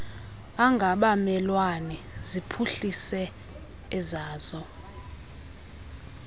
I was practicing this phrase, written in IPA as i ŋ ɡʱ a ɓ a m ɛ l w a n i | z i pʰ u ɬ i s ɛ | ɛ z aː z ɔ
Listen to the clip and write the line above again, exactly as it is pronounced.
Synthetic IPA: a ŋ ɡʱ a ɓ a m ɛ l w a n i | z i pʰ u ɬ i s ɛ | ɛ z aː z ɔ